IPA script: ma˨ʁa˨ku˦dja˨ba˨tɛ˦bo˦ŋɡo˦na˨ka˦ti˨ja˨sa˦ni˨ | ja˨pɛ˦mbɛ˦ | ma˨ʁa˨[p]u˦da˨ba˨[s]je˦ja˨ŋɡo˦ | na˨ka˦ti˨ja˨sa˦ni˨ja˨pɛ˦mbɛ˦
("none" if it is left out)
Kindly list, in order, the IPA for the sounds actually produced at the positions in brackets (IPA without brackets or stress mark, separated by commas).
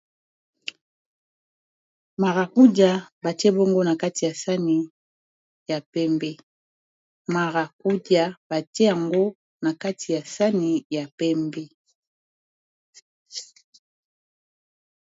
k, t